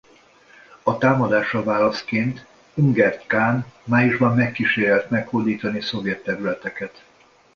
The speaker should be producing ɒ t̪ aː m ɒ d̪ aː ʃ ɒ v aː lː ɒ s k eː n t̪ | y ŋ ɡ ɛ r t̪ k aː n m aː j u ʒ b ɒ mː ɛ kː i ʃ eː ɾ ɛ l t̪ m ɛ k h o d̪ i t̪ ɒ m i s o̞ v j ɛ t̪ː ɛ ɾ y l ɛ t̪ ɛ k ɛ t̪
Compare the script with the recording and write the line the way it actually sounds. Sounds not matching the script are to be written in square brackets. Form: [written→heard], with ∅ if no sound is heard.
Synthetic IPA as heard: ɒ t̪ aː m ɒ d̪ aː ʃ ɒ v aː [lː→l] ɒ s k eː n t̪ | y ŋ ɡ ɛ r t̪ k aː n m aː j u ʒ b ɒ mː ɛ kː i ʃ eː ɾ ɛ l t̪ m ɛ k h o d̪ [i→iː] t̪ ɒ [m→n] i s o̞ v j ɛ t̪ː ɛ ɾ y l ɛ t̪ ɛ k ɛ t̪